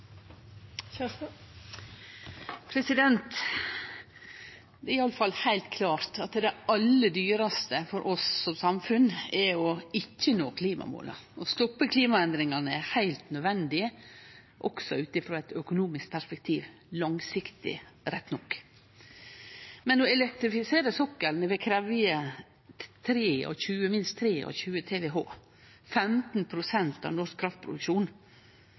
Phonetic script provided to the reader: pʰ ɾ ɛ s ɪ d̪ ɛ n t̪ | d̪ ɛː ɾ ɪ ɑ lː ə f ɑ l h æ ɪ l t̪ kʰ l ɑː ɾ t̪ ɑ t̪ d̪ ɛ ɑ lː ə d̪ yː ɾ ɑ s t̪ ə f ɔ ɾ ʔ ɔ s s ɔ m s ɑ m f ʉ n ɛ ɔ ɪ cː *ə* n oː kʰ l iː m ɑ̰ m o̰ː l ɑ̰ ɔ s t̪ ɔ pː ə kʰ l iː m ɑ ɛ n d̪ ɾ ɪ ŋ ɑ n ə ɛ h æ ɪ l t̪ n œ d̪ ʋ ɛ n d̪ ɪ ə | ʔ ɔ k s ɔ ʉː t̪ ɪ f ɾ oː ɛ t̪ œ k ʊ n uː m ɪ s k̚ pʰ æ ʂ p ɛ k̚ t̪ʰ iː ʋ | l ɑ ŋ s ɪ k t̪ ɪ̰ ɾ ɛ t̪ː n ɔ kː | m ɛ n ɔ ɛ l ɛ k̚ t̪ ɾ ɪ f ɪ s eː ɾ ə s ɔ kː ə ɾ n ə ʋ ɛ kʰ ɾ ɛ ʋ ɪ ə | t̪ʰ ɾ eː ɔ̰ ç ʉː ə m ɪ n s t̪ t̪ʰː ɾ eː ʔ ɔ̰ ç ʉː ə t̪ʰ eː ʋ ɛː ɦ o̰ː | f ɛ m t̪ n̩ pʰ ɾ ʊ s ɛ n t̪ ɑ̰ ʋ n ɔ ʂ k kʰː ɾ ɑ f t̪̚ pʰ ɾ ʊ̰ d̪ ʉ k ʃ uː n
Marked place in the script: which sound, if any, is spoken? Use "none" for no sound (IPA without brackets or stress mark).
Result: ə